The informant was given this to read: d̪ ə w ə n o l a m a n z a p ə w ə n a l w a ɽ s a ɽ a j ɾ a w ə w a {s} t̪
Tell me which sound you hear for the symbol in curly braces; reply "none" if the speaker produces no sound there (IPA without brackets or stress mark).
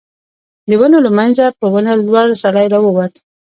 none